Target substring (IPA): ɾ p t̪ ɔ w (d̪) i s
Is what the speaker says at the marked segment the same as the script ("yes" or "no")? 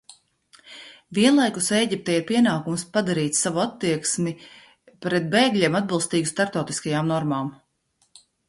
no